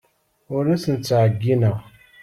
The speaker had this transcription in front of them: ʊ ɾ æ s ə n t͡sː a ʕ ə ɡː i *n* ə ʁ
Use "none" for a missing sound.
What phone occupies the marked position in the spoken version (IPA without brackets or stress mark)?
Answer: n